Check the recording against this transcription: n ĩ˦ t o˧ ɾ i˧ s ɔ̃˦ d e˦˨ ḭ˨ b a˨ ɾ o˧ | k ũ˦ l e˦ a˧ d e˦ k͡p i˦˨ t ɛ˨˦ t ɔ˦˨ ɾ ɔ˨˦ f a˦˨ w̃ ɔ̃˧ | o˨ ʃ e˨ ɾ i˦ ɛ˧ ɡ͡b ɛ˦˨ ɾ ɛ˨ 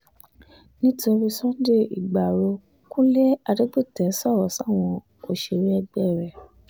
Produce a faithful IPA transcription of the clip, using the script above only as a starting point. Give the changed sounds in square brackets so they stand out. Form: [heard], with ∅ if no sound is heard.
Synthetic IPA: n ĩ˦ t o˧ ɾ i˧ s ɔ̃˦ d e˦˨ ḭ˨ [ɡ͡b] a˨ ɾ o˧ | k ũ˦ l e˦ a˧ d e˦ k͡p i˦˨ t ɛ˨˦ [s] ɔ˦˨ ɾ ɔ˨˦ [s] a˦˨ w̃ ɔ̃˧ | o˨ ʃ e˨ ɾ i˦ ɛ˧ ɡ͡b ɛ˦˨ ɾ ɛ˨